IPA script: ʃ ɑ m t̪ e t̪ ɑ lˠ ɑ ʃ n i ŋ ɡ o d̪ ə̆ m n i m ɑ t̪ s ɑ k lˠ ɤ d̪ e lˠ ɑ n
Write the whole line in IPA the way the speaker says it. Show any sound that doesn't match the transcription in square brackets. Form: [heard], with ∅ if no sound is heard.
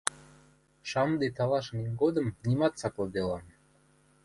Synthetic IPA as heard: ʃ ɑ m [d̪] e t̪ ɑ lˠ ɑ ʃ n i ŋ ɡ o d̪ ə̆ m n i m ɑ t̪ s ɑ k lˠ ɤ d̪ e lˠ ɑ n